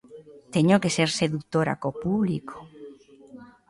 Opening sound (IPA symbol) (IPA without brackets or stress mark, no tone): t̪